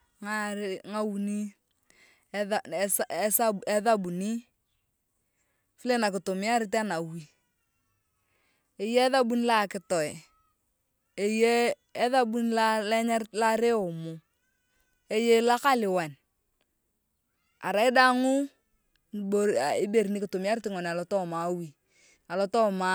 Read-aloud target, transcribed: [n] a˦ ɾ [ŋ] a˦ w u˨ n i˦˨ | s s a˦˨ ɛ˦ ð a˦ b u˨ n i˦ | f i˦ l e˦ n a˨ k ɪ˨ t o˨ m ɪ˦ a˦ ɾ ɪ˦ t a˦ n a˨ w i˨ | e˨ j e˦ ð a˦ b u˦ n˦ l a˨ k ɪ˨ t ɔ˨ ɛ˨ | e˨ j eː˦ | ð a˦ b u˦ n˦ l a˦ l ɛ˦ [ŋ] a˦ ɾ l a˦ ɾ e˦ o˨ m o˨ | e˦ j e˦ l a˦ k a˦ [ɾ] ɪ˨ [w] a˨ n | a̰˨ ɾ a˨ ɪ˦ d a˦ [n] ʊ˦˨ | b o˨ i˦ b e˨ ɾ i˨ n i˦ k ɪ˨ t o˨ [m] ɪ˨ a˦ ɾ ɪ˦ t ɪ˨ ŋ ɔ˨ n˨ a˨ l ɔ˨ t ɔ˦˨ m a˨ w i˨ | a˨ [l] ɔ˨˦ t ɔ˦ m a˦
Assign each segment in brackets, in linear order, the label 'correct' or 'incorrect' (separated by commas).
incorrect, correct, incorrect, incorrect, correct, incorrect, correct, correct